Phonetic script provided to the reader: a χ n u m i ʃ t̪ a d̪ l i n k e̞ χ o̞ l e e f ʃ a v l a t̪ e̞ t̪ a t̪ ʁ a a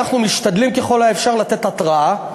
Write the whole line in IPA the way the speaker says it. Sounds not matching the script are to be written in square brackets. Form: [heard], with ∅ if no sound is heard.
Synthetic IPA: a χ n u m i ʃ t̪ a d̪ l i [m] k e̞ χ o̞ l [a] e f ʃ a [ʁ] l a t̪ e̞ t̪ a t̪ ʁ a a